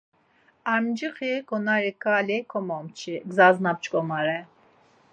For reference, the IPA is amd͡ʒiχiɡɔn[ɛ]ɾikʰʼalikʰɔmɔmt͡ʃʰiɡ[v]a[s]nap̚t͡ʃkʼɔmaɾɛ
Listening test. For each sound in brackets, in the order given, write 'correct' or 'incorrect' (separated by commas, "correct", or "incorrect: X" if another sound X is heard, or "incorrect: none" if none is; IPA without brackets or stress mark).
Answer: incorrect: a, incorrect: z, incorrect: z